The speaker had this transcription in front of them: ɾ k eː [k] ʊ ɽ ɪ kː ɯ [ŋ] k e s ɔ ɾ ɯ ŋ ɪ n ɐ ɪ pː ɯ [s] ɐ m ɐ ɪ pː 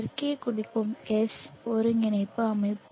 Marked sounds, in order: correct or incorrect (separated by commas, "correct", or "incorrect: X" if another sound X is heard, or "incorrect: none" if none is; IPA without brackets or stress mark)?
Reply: correct, incorrect: m, incorrect: none